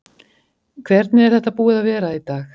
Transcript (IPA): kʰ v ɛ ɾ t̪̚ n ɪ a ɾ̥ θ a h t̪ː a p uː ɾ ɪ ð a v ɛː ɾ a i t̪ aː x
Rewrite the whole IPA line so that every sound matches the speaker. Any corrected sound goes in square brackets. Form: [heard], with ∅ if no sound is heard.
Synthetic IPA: kʰ v ɛ ɾ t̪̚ n ɪ [ɛ] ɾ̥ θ [ɛ] h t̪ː a p uː [∅] ɪ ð a v ɛː ɾ a i t̪ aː x